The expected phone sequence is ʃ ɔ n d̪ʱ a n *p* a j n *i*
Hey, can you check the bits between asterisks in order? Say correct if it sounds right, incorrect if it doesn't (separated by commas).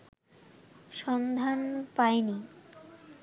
correct, correct